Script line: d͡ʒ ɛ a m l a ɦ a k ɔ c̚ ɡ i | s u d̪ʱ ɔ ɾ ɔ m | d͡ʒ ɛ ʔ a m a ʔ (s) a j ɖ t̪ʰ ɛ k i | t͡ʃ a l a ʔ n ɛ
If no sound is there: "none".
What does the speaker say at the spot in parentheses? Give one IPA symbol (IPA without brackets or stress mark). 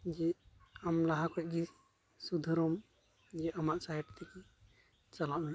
s